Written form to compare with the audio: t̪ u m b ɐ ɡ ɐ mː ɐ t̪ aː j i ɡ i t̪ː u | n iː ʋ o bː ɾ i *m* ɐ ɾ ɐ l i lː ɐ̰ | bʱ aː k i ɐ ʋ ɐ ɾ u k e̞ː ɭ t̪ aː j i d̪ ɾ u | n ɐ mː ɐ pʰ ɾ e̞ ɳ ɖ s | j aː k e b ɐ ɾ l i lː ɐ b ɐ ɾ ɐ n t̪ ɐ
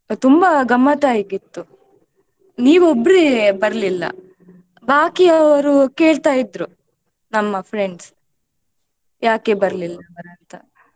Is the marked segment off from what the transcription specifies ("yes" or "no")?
yes